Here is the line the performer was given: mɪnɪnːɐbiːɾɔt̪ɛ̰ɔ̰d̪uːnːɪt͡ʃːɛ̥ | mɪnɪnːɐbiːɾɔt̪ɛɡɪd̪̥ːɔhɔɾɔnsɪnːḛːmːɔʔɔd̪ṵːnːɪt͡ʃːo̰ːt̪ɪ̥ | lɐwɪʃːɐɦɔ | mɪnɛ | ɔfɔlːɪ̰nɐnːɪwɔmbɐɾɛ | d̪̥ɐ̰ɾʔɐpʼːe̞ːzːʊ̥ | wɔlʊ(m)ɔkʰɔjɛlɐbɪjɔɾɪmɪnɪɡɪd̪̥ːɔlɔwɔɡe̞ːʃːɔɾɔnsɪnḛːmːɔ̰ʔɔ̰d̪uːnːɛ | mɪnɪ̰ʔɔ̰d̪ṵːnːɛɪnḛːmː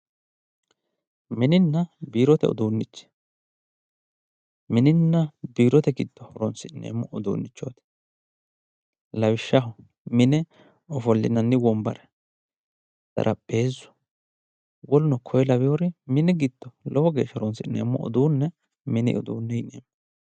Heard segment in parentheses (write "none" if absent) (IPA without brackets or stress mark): n